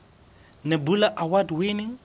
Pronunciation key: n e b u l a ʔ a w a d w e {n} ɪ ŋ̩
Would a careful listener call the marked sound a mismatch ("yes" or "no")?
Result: no